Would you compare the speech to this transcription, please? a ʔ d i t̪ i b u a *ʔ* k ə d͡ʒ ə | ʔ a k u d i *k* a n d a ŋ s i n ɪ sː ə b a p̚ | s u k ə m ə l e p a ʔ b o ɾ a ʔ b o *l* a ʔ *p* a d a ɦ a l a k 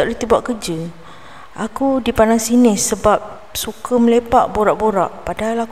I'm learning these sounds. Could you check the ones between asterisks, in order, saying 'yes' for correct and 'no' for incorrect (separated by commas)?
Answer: yes, no, no, yes